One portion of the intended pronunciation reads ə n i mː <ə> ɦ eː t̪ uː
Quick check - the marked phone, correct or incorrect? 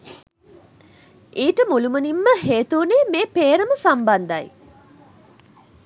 correct